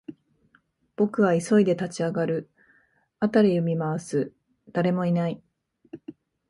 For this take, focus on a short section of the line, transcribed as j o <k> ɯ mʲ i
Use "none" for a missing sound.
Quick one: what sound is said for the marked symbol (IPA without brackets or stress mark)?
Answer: none